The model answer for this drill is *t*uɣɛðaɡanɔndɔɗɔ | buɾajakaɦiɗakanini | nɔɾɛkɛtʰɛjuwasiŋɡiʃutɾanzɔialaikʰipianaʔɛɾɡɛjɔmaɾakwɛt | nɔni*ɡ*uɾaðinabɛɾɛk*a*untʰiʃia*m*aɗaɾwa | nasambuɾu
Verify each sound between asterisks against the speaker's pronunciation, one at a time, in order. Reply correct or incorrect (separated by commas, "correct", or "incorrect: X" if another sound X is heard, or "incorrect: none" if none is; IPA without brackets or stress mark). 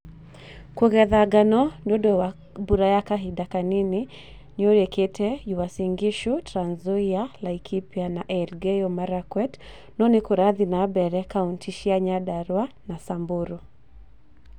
incorrect: k, incorrect: k, correct, incorrect: ɲ